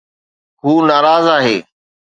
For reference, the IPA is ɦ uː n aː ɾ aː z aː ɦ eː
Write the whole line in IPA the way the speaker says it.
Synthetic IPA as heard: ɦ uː n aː ɾ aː z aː ɦ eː